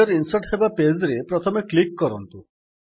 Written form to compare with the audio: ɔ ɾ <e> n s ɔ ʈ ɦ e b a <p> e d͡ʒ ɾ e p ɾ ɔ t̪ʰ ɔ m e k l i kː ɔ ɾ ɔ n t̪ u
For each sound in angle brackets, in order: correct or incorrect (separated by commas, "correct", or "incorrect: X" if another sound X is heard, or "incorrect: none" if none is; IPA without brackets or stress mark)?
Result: incorrect: i, correct